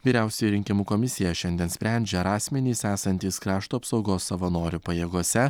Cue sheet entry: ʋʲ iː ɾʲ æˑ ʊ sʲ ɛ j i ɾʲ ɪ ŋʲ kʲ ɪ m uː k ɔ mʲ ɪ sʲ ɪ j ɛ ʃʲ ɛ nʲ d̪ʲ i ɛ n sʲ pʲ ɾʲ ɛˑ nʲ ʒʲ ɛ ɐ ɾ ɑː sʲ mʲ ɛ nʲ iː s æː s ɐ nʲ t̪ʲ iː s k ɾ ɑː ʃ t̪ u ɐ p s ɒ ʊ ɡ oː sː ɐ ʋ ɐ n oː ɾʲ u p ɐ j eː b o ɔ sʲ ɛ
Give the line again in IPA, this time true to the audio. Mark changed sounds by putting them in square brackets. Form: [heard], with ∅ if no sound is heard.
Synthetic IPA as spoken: ʋʲ iː ɾʲ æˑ ʊ sʲ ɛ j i ɾʲ ɪ ŋʲ kʲ ɪ m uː k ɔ mʲ ɪ sʲ ɪ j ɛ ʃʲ ɛ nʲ d̪ʲ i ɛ n sʲ pʲ ɾʲ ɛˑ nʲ [d͡ʒʲ] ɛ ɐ ɾ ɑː sʲ mʲ ɛ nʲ iː s æː s ɐ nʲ t̪ʲ iː s k ɾ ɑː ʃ t̪ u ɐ p s ɒ ʊ ɡ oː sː ɐ ʋ ɐ n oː ɾʲ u p ɐ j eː [ɡ] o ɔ sʲ ɛ